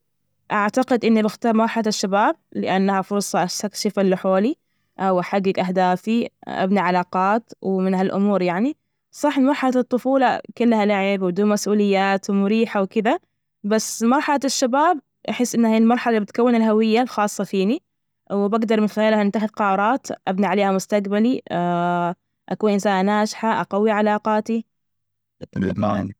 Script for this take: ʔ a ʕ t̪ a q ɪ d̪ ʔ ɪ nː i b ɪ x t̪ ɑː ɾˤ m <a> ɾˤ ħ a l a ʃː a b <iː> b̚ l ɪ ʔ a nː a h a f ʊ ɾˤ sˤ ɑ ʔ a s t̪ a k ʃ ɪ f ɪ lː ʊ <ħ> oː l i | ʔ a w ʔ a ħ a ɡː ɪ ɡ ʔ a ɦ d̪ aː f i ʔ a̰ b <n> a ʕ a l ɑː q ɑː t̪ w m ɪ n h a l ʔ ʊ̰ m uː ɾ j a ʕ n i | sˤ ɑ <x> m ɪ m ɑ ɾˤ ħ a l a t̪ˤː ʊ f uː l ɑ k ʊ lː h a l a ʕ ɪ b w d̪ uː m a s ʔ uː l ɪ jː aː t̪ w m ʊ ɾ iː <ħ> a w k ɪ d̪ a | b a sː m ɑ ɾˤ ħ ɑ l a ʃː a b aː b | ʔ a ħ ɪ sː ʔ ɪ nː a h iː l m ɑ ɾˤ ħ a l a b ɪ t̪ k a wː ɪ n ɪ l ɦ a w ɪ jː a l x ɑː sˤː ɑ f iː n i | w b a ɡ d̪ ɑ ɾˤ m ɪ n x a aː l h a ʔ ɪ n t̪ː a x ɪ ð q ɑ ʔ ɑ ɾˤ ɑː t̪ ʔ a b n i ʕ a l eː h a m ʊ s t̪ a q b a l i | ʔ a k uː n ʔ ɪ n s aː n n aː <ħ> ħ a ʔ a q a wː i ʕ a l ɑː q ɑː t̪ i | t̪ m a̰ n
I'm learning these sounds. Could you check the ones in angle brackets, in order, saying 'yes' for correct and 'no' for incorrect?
no, no, yes, yes, no, yes, no

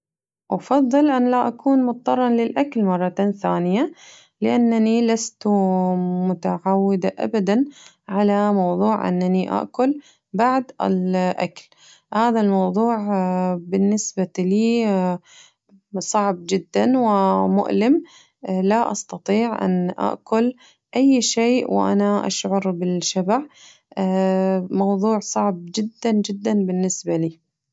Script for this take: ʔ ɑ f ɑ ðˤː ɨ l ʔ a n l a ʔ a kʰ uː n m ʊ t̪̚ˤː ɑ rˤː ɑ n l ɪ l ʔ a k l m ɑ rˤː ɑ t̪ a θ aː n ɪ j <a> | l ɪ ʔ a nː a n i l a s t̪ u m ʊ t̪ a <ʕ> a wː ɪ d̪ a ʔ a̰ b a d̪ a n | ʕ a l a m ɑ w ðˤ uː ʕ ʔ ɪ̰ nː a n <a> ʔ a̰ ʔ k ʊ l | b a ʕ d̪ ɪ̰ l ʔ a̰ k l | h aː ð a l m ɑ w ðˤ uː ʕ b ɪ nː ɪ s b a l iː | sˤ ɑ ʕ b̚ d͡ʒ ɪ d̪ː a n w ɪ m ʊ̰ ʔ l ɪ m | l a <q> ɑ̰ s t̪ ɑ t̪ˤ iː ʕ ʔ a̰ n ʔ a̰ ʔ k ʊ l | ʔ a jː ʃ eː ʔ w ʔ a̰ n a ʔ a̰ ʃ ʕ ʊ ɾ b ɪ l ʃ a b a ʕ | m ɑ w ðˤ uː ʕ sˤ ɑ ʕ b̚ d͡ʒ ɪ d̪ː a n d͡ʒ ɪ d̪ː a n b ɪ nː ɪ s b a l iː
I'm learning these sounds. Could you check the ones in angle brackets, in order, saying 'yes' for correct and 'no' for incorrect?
yes, yes, no, no

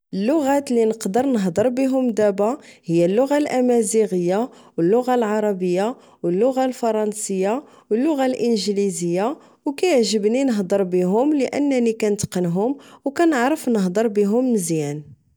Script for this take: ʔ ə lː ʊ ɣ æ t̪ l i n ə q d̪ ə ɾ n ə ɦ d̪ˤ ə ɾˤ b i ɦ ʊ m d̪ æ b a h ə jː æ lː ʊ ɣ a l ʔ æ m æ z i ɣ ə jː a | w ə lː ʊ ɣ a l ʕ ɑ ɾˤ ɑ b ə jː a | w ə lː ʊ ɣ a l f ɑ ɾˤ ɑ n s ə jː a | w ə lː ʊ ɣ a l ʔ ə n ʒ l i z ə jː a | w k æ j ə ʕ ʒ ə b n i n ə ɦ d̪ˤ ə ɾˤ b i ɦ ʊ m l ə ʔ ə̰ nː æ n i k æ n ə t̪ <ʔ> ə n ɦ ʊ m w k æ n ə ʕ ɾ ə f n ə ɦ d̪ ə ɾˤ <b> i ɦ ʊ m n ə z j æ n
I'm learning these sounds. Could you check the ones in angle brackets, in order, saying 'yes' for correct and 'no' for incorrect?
no, yes

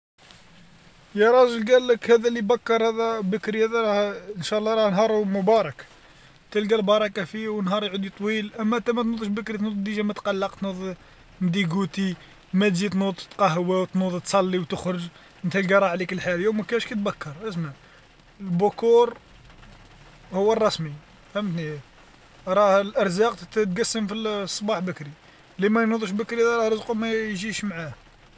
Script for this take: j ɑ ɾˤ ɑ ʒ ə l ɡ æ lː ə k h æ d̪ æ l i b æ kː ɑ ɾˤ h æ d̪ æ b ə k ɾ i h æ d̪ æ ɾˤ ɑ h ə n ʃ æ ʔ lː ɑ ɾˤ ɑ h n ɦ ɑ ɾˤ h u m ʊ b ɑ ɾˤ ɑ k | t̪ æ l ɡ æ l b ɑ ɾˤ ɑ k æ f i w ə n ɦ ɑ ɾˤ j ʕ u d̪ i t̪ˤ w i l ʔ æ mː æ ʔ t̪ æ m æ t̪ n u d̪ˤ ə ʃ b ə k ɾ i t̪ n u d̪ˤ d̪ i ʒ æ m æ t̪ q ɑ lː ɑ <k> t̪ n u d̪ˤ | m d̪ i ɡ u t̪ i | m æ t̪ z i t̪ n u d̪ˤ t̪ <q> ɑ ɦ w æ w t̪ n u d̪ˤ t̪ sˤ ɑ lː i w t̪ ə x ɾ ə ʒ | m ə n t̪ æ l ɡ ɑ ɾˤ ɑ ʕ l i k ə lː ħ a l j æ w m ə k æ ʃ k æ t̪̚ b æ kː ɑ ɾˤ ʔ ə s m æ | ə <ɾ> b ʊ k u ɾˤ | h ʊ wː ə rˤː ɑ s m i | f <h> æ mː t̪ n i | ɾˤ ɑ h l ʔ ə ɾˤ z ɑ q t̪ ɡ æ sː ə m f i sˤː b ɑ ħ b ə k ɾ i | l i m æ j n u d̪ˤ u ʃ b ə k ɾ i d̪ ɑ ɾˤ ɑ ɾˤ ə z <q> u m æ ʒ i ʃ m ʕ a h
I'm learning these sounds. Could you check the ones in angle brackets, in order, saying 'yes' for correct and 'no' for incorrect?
no, yes, no, yes, yes

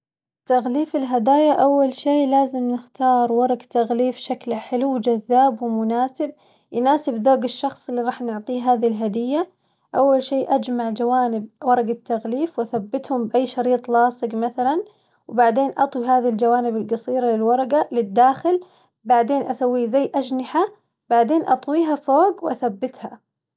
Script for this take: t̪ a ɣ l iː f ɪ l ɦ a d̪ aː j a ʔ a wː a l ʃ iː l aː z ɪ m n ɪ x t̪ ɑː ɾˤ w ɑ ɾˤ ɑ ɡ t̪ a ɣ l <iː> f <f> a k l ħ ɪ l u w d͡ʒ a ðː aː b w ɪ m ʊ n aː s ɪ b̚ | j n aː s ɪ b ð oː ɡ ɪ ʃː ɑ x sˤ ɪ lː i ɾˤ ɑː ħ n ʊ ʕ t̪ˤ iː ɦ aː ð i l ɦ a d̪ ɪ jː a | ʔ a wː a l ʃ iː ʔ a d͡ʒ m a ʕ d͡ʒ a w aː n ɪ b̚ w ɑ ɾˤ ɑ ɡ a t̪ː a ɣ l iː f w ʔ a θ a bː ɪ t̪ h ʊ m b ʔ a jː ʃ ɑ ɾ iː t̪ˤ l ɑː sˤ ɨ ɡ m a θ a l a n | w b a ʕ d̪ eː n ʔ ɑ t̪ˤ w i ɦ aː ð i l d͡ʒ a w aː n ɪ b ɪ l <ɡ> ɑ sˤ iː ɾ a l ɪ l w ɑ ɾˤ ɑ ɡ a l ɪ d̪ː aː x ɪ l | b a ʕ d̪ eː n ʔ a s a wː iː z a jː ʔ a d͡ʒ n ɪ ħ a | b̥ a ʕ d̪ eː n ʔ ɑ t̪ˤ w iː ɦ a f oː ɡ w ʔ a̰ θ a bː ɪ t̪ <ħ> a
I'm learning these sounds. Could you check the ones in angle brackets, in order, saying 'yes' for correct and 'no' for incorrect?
yes, no, yes, no

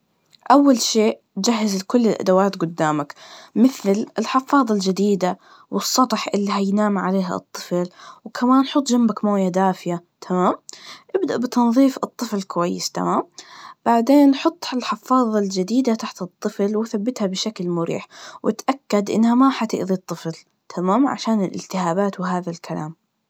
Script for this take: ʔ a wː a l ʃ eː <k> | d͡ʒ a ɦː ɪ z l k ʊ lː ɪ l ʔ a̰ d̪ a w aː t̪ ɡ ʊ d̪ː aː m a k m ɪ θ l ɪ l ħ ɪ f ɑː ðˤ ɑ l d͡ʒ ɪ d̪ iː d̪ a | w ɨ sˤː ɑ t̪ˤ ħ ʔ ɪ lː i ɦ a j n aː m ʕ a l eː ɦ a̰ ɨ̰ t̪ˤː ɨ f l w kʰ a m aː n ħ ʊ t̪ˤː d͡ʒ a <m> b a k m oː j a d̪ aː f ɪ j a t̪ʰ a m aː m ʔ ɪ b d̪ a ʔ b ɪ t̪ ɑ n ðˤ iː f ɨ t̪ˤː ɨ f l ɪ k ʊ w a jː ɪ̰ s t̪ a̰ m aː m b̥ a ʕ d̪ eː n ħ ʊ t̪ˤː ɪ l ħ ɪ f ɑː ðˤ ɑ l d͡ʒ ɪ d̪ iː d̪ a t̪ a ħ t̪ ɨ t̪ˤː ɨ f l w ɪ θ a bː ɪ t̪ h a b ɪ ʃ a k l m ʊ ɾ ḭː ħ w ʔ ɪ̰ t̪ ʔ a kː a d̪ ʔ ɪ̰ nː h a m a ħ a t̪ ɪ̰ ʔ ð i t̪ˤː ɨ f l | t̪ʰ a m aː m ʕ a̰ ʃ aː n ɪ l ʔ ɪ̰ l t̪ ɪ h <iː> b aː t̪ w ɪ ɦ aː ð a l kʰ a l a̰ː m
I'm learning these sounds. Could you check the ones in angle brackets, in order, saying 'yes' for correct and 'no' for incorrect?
no, yes, no

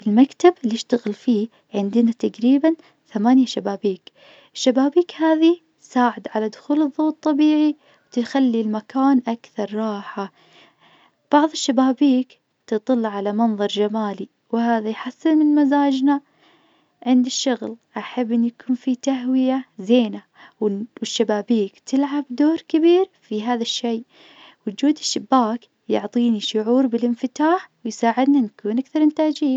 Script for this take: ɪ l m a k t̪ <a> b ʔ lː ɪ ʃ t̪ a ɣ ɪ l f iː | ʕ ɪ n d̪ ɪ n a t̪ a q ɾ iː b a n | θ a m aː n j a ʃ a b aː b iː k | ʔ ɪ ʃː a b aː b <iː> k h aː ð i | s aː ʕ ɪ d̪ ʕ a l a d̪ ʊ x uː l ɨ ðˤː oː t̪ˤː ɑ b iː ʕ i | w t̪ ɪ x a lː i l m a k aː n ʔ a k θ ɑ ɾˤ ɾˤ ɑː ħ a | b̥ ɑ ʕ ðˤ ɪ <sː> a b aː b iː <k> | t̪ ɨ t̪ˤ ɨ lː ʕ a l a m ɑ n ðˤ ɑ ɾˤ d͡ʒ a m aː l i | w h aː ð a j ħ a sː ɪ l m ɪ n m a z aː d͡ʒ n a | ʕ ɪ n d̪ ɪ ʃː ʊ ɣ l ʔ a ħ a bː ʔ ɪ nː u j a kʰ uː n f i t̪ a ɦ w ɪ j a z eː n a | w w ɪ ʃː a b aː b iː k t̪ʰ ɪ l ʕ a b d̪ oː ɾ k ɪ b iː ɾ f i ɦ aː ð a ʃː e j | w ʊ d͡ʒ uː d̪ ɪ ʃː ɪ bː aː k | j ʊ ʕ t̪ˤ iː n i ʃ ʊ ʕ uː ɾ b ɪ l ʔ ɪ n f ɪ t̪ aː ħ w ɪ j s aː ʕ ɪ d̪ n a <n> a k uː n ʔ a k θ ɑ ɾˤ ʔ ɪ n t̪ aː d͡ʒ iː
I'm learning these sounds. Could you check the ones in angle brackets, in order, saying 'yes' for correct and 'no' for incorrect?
yes, yes, no, yes, yes

